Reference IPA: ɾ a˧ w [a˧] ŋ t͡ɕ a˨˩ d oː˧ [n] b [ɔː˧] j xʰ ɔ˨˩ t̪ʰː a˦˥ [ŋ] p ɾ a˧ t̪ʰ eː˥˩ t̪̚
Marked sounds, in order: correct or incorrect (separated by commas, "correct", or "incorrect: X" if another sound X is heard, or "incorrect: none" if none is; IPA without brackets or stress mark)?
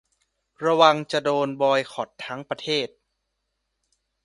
correct, correct, correct, correct